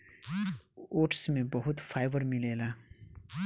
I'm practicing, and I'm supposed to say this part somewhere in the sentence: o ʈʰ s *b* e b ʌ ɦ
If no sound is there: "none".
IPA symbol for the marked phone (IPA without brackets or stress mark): m